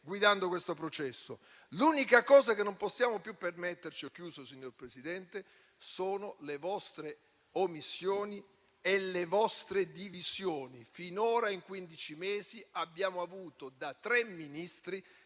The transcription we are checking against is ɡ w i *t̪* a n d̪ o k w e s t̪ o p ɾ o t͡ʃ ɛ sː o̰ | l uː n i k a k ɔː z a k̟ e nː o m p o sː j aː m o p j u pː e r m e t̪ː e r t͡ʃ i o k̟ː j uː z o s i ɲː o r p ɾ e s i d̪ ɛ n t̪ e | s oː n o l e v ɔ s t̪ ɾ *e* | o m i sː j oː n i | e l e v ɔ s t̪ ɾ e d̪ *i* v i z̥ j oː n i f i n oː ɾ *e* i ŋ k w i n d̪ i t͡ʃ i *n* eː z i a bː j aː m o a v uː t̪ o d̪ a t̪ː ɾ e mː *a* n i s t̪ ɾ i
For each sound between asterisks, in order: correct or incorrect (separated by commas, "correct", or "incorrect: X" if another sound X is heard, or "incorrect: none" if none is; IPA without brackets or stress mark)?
incorrect: d̪, correct, correct, incorrect: a, incorrect: m, incorrect: i